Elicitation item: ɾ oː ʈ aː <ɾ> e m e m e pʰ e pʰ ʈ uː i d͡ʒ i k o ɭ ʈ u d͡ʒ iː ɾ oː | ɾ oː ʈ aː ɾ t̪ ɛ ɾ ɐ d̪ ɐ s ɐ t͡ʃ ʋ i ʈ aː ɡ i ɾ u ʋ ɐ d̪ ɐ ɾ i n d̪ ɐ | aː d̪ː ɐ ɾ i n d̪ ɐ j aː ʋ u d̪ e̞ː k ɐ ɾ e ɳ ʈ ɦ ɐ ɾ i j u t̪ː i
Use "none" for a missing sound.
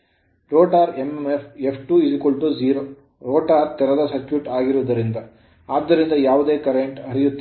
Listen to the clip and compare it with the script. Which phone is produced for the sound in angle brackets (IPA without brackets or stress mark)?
ɾ